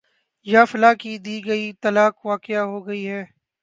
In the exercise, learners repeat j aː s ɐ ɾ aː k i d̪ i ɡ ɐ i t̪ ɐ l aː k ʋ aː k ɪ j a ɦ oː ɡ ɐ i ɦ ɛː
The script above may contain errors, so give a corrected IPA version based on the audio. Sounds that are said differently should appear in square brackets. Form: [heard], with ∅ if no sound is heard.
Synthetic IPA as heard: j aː [f] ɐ [l] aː k i d̪ [iː] ɡ ɐ i t̪ ɐ l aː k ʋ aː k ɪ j a ɦ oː ɡ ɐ i ɦ ɛː